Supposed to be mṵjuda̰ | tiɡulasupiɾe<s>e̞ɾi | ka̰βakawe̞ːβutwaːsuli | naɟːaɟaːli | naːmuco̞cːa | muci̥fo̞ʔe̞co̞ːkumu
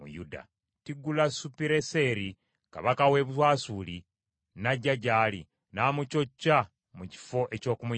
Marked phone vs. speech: correct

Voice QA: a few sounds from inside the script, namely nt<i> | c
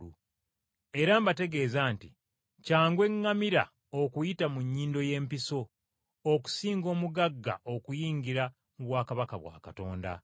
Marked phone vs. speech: correct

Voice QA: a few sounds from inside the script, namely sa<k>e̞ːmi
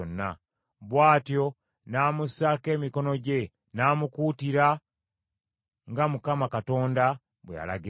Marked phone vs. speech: correct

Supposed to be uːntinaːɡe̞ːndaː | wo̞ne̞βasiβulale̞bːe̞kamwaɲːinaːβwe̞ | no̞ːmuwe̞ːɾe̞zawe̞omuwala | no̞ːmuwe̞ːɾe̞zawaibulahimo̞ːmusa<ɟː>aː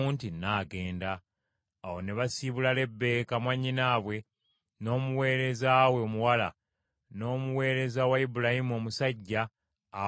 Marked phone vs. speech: correct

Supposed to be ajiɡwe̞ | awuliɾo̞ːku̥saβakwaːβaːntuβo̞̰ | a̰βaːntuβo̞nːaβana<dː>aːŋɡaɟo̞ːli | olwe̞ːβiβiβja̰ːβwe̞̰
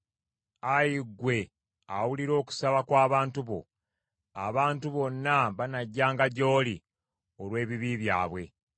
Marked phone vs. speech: incorrect: ɟː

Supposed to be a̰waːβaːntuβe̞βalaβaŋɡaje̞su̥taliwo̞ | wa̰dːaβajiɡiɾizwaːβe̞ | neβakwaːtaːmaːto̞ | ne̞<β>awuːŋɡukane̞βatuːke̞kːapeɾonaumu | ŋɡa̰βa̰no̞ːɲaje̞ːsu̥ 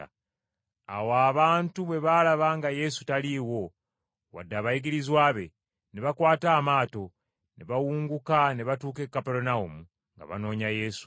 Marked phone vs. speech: correct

